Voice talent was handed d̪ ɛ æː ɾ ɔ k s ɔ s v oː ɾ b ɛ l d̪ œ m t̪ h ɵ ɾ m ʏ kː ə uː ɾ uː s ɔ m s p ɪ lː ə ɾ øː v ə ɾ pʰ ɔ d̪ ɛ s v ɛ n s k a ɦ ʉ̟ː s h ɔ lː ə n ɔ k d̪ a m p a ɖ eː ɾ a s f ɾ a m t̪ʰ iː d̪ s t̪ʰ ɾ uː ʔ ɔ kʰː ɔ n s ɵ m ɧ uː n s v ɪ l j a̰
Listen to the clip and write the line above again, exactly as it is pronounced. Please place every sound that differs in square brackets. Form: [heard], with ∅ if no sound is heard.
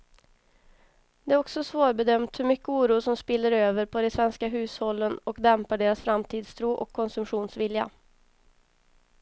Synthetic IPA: d̪ ɛ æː ɾ ɔ k s ɔ s v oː ɾ b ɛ [∅] d̪ œ m t̪ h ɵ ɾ m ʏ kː ə uː ɾ uː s ɔ m s p ɪ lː ə ɾ øː v ə ɾ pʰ ɔ d̪ ɛ s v ɛ n s k a ɦ ʉ̟ː s h ɔ lː ə n ɔ k d̪ [ɛ] m p a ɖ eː ɾ a s f ɾ a m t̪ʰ iː d̪ s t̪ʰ ɾ uː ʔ ɔ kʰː ɔ n s ɵ m ɧ uː n s v ɪ l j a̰